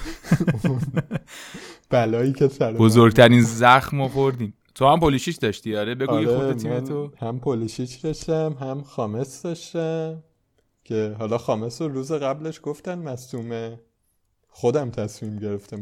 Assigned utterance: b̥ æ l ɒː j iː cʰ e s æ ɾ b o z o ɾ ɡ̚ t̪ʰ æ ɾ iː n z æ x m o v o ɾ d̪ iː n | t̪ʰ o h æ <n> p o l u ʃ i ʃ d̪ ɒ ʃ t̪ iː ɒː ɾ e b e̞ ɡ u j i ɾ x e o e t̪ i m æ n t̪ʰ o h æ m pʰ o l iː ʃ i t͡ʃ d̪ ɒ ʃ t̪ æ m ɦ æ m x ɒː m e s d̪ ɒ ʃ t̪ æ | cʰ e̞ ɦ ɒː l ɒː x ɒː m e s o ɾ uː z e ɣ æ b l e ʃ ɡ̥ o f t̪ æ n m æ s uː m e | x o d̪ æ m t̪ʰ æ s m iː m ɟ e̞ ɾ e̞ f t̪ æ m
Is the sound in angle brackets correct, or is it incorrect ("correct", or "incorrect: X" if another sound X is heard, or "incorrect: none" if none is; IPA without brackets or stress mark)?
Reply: incorrect: m